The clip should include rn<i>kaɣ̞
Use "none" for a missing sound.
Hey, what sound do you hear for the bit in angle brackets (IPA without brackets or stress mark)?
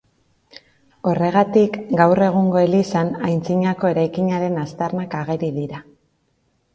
a